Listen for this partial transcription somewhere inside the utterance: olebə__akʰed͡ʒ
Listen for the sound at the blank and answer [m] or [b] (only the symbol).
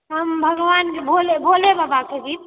b